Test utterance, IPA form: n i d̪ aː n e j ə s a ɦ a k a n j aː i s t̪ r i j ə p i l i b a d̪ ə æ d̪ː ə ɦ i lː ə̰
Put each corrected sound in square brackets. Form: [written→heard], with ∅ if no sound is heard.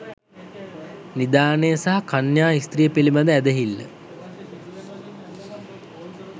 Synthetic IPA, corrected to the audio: n i d̪ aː n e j ə s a ɦ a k a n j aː i s t̪ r i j ə p i l i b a d̪ ə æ [d̪ː→d̪] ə ɦ i lː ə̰